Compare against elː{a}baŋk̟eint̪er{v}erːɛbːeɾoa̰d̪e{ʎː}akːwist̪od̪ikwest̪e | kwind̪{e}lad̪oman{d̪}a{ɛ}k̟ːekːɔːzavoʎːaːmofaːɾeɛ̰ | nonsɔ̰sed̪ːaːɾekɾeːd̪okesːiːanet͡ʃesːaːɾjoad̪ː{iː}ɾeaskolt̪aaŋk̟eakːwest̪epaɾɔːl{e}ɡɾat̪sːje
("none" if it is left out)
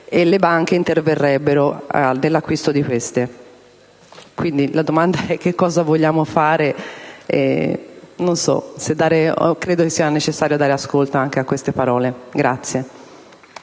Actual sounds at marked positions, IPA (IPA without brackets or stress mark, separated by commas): e, v, lː, i, d̪, ɛ, aː, e